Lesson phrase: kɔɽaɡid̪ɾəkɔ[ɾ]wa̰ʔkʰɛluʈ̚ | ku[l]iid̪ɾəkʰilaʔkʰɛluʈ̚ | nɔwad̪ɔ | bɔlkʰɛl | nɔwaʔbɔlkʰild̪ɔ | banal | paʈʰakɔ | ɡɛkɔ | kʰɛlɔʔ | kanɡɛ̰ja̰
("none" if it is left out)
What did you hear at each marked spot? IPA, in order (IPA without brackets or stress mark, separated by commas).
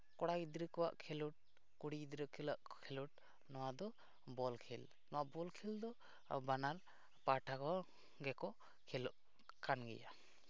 none, ɽ